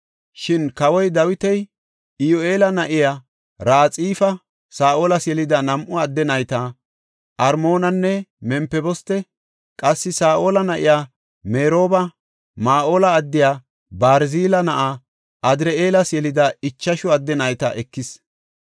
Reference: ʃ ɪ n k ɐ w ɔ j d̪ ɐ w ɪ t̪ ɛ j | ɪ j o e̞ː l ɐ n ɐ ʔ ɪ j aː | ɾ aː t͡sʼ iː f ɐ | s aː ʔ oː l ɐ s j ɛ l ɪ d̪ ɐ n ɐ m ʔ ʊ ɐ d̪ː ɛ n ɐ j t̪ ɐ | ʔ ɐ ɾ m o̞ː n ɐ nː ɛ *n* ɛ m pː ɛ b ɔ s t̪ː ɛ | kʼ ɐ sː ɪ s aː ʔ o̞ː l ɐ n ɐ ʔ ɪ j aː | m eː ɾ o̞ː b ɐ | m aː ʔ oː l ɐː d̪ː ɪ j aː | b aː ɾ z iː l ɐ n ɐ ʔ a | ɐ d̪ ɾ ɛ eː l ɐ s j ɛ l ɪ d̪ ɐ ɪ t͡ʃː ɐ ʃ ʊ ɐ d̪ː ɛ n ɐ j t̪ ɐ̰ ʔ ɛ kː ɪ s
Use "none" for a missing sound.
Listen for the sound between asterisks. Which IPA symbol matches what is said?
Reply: m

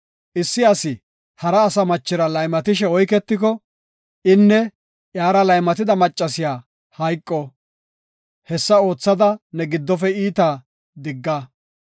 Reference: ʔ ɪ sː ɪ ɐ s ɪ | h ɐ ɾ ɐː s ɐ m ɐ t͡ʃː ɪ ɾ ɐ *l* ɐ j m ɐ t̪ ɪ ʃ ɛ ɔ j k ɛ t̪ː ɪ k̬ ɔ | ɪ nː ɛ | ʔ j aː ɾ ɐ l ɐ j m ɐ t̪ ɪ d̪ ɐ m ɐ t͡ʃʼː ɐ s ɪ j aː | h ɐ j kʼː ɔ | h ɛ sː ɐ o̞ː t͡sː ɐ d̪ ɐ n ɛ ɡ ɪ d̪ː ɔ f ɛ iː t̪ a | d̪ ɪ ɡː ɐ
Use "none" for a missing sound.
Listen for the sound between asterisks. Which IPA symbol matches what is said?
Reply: l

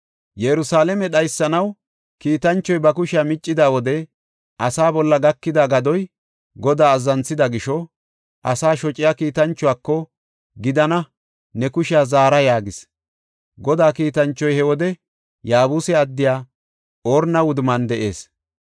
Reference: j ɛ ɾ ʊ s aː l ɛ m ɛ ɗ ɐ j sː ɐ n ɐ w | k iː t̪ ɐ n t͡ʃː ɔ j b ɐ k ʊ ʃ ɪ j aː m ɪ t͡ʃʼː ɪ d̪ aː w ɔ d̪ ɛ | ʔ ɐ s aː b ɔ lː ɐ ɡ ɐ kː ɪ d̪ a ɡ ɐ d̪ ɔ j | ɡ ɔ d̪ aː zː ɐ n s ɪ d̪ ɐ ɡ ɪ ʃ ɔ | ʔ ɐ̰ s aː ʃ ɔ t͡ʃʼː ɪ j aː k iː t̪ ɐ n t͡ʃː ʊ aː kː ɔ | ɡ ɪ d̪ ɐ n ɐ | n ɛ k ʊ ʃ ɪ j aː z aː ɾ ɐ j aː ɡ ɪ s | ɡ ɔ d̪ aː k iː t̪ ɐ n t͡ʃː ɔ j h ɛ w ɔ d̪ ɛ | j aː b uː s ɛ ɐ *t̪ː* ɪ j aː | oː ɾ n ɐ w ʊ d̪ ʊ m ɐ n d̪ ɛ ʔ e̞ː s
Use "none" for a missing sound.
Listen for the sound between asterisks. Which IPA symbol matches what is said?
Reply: d̪ː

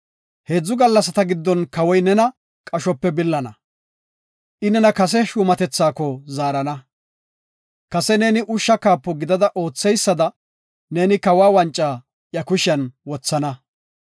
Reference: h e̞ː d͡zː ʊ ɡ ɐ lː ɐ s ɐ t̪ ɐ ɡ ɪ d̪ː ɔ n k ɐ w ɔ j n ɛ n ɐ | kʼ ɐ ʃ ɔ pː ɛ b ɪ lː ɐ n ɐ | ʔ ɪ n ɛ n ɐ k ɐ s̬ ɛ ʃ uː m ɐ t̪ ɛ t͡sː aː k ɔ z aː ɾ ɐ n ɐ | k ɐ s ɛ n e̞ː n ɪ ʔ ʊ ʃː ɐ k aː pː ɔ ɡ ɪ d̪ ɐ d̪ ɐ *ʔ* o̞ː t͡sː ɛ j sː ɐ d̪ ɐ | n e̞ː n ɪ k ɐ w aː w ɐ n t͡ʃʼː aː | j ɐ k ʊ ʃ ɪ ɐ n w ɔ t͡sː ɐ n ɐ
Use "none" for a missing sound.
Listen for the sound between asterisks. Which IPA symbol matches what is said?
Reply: ʔ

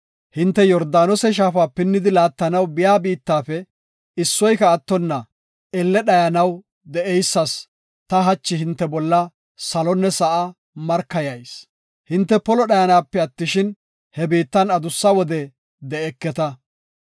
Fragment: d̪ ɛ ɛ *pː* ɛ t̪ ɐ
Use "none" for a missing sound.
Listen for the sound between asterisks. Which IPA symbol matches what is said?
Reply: kː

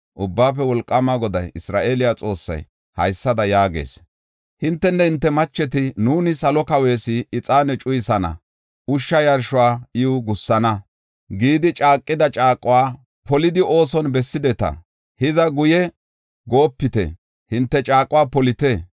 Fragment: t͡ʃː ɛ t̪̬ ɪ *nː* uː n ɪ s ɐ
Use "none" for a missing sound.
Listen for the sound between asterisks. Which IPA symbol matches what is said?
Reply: n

